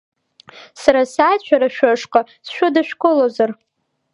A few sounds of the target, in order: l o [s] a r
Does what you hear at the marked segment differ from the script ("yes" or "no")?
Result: yes